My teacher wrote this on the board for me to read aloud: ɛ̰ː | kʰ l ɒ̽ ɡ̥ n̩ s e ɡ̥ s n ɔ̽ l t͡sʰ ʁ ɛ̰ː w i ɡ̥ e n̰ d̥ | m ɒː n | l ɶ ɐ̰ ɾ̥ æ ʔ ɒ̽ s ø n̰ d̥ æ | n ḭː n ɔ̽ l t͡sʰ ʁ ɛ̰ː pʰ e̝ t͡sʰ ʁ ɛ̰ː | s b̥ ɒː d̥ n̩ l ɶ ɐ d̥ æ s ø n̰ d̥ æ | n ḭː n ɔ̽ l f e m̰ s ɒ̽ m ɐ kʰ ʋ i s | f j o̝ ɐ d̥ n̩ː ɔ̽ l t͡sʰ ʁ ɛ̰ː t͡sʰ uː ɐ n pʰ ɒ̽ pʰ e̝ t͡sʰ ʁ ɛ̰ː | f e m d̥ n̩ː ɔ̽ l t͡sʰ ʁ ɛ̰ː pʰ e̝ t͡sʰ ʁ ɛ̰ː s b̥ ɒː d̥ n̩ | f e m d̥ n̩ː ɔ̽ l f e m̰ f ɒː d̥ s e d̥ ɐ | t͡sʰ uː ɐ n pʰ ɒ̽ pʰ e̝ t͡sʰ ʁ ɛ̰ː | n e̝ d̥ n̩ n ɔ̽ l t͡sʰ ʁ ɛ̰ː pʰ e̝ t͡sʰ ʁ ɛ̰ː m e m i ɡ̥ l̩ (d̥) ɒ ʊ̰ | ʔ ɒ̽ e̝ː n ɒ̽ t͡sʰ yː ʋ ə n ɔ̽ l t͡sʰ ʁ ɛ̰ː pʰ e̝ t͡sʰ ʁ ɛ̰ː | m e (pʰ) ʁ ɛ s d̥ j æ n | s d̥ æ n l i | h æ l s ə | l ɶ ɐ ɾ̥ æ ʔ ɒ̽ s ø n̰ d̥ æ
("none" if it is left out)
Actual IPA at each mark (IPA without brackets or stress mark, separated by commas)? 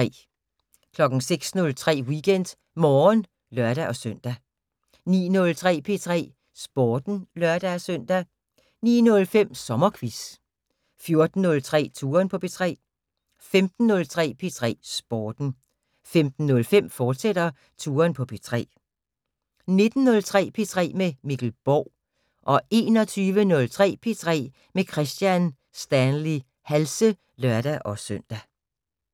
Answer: b̥, kʰ